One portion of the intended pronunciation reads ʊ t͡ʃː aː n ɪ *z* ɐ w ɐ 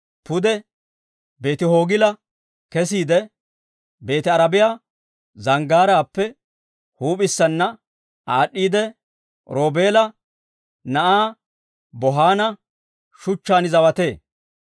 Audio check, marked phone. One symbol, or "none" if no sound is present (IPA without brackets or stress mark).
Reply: z